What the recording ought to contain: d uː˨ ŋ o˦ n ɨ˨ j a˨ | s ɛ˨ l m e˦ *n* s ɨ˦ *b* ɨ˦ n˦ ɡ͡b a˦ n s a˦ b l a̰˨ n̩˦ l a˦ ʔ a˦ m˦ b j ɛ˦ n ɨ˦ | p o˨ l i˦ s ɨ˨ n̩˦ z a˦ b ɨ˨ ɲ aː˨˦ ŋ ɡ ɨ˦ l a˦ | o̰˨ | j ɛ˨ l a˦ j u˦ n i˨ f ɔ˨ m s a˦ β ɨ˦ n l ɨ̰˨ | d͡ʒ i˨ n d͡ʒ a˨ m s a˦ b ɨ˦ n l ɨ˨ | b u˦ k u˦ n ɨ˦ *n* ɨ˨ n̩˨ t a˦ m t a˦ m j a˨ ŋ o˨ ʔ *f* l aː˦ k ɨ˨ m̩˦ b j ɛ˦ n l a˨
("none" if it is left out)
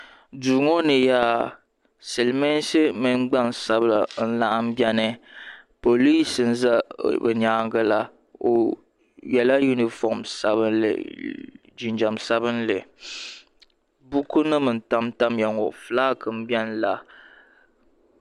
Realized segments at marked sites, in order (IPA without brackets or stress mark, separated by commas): n, m, m, f